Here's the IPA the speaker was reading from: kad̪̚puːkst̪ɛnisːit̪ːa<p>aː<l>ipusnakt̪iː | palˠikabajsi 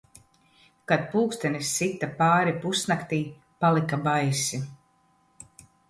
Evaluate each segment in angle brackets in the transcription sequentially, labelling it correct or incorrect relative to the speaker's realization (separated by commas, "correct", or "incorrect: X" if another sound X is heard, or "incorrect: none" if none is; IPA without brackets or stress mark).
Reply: correct, incorrect: ɾ